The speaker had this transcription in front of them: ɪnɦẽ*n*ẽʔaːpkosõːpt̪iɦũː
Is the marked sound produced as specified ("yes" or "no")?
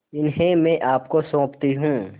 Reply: no